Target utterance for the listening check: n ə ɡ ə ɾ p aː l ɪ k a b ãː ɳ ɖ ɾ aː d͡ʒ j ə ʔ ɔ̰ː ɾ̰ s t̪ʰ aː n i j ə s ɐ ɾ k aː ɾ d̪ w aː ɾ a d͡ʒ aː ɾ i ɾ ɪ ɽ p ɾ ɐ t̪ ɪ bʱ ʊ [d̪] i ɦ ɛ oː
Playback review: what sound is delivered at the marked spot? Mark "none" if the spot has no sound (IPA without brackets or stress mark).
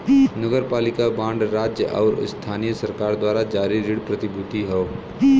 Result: t̪